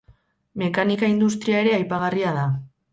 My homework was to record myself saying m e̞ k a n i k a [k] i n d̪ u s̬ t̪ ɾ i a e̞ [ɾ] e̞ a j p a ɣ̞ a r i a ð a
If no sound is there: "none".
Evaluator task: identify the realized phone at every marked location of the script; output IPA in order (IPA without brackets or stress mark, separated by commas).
none, ɾ